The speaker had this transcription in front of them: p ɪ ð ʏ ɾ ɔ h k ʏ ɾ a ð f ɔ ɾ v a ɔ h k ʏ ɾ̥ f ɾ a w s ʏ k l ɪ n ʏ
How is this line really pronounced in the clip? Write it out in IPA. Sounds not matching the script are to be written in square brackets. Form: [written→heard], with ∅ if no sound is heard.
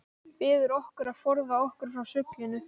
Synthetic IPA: p [ɪ→ɪː] ð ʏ ɾ ɔ h k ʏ ɾ a ð f ɔ ɾ [v→ð] a ɔ h k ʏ ɾ̥ f ɾ a w s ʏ k l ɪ n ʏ